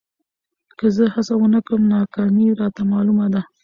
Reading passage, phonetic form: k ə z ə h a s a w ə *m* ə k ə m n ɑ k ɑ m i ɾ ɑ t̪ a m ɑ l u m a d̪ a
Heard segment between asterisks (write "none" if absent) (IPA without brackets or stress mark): n